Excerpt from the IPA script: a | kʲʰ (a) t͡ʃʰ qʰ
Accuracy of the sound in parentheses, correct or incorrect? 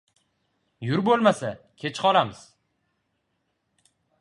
incorrect